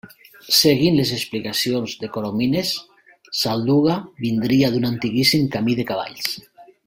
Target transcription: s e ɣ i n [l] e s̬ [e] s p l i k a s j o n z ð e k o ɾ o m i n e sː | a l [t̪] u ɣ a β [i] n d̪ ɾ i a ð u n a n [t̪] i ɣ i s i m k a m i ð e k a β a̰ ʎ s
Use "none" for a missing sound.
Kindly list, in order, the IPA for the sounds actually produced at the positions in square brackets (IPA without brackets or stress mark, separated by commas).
l, e, d̪, i, t̪